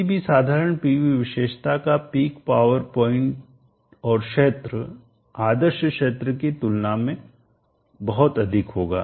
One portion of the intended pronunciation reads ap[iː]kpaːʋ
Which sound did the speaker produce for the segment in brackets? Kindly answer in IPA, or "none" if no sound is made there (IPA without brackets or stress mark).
iː